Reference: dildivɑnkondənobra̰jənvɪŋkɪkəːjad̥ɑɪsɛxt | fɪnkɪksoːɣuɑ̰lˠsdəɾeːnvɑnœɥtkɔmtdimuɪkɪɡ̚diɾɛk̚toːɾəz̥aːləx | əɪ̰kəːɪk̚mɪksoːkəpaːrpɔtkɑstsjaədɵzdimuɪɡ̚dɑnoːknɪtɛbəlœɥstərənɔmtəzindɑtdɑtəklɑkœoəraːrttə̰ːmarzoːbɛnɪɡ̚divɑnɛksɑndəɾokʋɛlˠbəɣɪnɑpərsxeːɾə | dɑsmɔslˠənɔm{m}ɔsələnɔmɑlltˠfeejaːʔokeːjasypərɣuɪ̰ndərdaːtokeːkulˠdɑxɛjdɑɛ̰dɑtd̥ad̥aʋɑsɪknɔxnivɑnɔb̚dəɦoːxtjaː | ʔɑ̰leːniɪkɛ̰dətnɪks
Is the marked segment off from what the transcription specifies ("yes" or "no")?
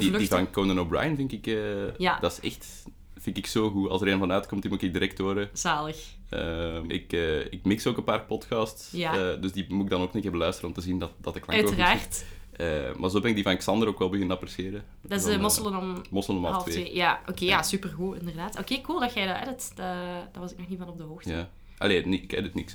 no